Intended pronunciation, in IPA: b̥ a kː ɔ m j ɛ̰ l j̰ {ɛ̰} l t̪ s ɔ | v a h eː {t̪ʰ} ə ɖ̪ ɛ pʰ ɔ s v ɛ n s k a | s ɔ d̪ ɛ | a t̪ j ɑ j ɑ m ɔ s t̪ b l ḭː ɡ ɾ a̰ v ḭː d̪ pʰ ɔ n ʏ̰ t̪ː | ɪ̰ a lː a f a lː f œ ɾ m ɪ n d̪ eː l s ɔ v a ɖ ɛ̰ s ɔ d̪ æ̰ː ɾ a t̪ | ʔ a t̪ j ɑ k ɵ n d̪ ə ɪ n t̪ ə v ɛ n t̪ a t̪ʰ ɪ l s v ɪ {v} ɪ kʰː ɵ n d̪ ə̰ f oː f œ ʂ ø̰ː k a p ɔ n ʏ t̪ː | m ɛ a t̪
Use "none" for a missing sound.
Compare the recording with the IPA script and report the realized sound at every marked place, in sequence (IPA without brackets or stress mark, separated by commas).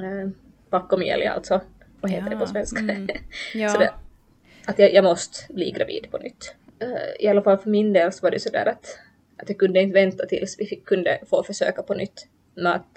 a̰, t̪, f